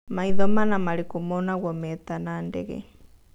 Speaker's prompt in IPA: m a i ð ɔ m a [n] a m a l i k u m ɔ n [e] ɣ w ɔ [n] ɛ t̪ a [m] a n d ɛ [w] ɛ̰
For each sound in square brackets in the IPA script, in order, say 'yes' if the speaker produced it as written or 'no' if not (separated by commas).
yes, no, no, no, no